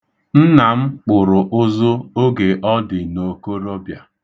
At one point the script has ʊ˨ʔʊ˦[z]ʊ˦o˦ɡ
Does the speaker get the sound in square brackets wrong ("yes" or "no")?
no